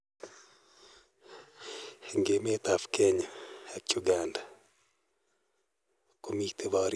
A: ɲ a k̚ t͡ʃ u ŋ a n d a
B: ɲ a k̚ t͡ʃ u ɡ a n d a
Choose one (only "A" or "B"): B